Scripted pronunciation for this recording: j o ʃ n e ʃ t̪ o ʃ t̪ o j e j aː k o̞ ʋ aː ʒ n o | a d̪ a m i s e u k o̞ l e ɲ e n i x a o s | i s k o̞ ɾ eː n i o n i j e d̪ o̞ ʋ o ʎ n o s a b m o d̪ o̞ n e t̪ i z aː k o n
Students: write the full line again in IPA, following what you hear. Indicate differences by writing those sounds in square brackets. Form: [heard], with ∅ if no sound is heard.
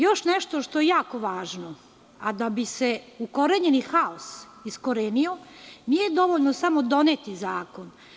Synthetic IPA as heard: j o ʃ n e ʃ t̪ o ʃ t̪ o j e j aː k o̞ ʋ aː ʒ n o | a d̪ a [b] i s e u k o̞ [ɾ] e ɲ e n i x a o s | i s k o̞ ɾ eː n i o n i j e d̪ o̞ ʋ o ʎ n o s a [∅] m o d̪ o̞ n e t̪ i z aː k o n